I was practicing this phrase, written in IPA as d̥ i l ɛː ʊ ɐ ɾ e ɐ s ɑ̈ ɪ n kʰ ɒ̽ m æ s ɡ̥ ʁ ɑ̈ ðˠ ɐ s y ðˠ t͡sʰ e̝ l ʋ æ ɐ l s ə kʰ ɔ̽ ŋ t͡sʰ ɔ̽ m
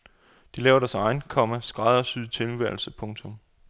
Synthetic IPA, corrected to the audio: d̥ i l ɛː ʊ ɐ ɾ æ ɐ s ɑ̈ ɪ n kʰ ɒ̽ m æ s ɡ̥ ʁ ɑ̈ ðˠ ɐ s y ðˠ t͡sʰ e̝ l ʋ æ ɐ l s ə pʰ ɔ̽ ŋ t͡sʰ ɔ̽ m